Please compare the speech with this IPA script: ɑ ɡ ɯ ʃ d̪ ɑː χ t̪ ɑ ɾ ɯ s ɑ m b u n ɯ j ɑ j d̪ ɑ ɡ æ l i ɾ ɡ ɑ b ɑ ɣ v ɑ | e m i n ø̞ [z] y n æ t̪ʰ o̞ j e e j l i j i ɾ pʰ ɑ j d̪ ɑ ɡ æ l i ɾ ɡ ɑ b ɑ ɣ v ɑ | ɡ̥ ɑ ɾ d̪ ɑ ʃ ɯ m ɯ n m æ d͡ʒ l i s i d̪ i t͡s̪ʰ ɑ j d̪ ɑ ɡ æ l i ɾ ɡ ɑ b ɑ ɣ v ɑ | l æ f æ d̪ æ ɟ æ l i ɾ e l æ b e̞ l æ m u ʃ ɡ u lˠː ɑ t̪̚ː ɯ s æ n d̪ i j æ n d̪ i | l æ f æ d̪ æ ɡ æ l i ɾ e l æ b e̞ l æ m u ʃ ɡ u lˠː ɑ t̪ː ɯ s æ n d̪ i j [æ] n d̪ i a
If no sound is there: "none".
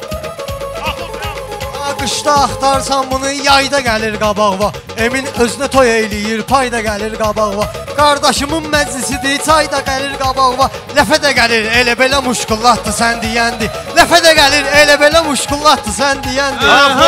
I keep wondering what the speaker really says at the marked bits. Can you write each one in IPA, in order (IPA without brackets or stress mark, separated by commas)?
z, æ